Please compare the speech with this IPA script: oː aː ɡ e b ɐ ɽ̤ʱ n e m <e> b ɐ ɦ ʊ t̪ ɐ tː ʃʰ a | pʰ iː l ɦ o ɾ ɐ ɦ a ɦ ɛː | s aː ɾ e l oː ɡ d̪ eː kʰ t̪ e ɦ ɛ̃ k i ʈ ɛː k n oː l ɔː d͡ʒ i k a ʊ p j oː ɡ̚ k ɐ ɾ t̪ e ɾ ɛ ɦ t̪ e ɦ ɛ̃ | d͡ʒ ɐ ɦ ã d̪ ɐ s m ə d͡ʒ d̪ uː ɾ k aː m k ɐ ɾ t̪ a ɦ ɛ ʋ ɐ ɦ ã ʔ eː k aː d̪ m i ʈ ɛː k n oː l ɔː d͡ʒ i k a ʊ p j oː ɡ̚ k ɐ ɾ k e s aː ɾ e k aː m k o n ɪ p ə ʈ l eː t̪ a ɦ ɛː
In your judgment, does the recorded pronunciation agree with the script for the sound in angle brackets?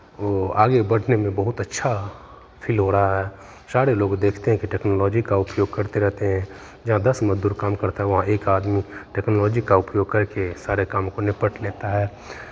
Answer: no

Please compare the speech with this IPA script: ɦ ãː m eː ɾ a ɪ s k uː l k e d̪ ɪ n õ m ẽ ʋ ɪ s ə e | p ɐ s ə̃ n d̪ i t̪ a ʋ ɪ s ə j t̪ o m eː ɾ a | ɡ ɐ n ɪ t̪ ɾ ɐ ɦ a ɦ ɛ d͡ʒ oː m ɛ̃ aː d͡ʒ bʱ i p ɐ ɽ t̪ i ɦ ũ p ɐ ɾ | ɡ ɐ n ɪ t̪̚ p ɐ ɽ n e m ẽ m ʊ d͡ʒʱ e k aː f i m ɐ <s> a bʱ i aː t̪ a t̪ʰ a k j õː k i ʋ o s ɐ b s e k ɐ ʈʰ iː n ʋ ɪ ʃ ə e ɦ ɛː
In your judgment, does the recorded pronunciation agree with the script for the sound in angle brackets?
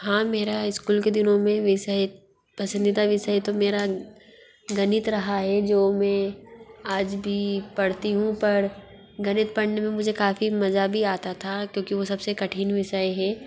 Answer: no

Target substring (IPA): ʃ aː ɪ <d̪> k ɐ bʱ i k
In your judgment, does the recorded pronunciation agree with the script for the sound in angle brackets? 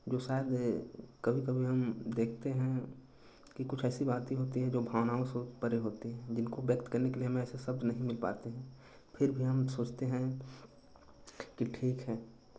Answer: yes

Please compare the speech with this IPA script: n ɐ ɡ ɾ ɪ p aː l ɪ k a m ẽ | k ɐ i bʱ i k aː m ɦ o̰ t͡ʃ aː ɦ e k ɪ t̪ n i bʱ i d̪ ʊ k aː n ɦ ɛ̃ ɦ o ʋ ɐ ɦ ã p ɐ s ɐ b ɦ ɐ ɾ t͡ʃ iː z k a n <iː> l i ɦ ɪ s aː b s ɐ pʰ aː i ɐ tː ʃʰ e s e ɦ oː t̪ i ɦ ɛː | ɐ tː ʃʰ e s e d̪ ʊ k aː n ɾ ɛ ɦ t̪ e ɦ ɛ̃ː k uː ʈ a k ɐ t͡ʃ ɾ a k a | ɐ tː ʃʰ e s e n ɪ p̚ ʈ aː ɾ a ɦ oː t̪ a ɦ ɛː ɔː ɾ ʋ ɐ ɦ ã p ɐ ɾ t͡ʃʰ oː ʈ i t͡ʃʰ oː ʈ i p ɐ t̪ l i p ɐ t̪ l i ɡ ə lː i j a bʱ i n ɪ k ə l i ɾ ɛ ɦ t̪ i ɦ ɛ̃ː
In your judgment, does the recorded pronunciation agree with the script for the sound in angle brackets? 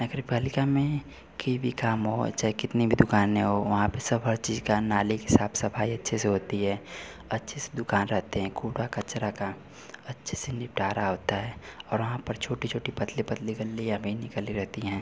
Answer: no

